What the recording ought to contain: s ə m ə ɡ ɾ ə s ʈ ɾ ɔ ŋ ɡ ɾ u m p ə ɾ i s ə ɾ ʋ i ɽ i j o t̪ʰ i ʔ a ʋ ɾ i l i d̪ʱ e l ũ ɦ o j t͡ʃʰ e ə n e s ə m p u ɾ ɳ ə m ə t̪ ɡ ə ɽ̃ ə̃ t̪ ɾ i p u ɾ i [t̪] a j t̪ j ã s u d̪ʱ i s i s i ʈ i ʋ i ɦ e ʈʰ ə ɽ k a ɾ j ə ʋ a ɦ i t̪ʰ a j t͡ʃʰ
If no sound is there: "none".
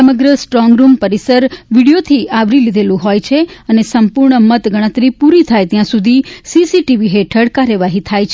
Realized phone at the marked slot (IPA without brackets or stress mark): t̪ʰ